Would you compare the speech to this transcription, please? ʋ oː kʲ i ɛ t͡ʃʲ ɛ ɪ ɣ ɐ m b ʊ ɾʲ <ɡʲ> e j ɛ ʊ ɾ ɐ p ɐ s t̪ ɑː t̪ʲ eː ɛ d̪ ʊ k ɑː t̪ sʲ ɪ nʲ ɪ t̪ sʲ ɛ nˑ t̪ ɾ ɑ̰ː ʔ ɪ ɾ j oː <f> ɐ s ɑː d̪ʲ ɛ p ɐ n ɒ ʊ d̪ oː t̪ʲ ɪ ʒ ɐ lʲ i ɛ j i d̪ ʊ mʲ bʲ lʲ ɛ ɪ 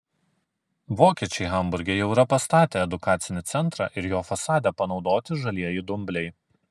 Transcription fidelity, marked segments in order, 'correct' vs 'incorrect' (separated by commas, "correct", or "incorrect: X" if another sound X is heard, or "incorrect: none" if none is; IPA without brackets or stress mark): correct, correct